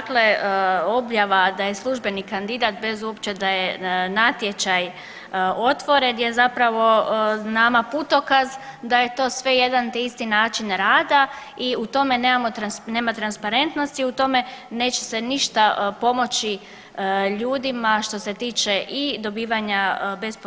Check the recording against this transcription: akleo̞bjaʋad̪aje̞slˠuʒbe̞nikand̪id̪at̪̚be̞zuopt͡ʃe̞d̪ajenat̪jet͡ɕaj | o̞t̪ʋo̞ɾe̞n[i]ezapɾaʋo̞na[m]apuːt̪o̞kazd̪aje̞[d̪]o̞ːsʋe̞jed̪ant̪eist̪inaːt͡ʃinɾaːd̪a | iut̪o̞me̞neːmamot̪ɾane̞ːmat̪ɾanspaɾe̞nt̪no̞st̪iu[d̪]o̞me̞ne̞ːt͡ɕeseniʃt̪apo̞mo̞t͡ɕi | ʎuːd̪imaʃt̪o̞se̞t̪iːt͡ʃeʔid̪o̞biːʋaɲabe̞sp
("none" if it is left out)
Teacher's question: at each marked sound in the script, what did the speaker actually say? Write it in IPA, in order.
j, m, t̪, t̪

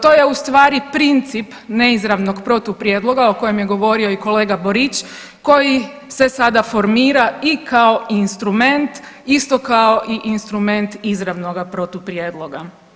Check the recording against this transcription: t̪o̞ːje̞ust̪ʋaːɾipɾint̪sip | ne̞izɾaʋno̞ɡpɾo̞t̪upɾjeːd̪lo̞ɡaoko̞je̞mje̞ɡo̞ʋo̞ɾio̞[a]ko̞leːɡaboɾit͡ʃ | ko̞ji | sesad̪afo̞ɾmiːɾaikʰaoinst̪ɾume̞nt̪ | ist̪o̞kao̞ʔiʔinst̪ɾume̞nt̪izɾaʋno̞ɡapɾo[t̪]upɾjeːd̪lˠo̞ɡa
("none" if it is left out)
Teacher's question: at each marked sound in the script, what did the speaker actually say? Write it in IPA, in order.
i, t̪

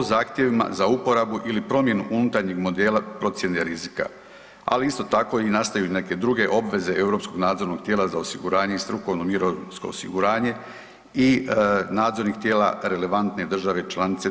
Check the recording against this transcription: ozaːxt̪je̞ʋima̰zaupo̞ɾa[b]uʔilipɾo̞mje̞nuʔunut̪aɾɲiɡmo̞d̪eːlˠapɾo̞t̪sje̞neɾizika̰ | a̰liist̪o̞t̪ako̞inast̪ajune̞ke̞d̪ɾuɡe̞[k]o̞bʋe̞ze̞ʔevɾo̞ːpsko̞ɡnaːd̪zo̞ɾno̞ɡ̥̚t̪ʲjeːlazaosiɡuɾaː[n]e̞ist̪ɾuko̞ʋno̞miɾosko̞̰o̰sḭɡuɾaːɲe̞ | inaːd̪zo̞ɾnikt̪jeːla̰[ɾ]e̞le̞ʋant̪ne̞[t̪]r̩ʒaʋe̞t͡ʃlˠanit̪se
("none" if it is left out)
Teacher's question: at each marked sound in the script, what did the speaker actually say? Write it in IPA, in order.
b, ʔ, ɲ, ɾ, d̪

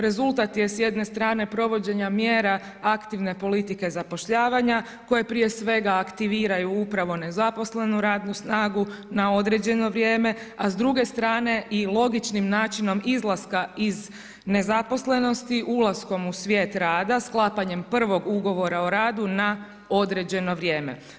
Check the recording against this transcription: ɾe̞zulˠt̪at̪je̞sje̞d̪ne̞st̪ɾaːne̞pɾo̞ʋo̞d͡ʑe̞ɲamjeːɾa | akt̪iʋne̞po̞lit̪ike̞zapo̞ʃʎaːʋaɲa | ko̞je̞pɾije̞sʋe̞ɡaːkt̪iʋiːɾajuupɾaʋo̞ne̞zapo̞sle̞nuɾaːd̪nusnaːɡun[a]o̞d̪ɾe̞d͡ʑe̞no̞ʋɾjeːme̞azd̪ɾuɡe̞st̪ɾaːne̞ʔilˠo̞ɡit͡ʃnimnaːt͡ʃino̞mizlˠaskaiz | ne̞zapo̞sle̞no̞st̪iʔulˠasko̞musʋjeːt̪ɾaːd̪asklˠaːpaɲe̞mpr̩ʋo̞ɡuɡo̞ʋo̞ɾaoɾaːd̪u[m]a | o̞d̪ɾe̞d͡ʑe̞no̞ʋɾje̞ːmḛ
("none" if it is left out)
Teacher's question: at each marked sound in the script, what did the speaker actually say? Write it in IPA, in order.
a, n

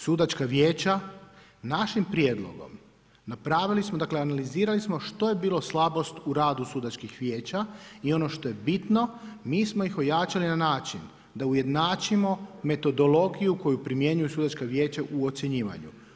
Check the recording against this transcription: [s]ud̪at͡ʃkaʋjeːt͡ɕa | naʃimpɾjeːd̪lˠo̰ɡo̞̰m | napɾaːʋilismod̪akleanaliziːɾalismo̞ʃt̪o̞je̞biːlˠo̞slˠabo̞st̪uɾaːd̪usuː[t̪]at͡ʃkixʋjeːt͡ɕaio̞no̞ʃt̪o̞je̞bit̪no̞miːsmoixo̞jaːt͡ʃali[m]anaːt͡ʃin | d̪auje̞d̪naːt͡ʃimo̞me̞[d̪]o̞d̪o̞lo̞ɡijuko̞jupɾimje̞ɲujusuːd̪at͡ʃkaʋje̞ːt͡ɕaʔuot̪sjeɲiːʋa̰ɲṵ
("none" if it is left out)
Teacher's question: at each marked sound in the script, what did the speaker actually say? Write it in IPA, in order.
s, d̪, n, t̪

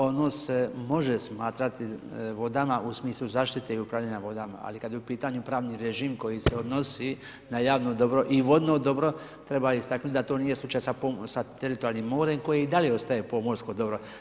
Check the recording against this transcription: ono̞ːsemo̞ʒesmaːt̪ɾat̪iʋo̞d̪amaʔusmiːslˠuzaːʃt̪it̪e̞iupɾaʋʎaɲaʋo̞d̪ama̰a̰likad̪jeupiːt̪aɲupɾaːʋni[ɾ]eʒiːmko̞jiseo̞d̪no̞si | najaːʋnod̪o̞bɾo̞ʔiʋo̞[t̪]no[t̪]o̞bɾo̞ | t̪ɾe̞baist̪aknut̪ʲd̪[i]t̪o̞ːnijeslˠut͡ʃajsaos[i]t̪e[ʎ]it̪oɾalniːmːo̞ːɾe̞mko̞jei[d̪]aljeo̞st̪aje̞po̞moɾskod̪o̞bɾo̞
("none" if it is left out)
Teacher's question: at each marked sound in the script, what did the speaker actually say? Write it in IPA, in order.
ɾ, d̪, d̪, a, a, ɾ, d̪

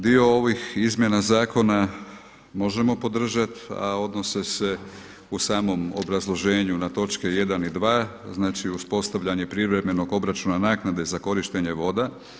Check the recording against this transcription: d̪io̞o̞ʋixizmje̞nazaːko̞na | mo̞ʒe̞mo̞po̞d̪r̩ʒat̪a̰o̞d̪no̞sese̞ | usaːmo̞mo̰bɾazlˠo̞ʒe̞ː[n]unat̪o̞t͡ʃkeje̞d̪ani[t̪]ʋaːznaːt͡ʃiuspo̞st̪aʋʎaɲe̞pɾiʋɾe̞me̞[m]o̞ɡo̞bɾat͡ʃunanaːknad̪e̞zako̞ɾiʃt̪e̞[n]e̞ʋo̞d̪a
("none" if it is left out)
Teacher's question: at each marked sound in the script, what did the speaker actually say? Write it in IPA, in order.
ɲ, d̪, n, ɲ

